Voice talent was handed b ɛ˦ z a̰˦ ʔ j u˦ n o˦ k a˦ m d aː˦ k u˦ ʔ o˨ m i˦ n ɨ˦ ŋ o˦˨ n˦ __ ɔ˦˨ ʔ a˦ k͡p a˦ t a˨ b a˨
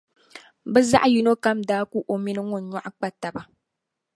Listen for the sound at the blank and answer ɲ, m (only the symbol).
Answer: ɲ